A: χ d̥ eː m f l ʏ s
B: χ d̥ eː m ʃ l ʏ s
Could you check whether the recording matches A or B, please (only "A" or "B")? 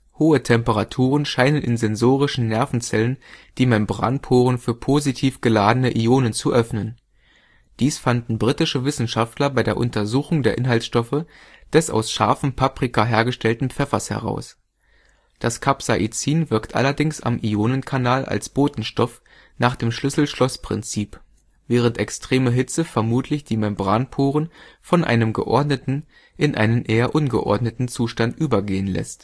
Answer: B